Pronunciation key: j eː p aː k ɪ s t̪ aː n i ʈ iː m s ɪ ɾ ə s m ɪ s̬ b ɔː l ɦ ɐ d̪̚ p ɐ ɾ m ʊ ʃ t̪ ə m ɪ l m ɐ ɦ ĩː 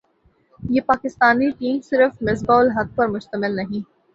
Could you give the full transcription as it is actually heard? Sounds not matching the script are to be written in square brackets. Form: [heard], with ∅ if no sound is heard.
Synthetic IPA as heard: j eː p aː k ɪ s t̪ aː n i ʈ iː m s ɪ ɾ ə [f] m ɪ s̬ b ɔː l ɦ ɐ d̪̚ p ɐ ɾ m ʊ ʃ t̪ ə m ɪ l [n] ɐ ɦ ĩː